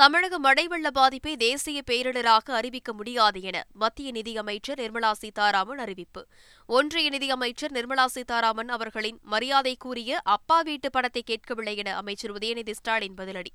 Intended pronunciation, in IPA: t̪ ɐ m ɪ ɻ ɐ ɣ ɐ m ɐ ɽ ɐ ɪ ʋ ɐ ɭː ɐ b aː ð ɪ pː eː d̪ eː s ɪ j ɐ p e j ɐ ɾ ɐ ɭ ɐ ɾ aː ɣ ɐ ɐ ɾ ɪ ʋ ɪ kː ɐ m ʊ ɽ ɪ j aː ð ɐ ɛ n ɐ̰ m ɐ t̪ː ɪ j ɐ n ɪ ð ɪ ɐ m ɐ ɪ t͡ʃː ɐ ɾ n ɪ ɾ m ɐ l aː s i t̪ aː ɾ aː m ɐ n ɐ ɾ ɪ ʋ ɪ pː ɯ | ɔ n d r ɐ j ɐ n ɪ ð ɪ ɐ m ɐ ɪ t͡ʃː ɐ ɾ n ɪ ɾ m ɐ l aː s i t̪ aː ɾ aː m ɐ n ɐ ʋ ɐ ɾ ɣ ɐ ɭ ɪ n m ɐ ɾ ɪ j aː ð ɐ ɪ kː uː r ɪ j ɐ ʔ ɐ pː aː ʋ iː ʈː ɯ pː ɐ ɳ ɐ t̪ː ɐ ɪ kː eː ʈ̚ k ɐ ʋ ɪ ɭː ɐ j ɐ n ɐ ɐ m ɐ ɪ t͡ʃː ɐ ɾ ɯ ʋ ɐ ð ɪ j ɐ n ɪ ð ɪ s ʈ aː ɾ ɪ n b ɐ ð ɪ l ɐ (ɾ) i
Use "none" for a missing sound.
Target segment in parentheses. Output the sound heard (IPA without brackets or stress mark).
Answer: ɽ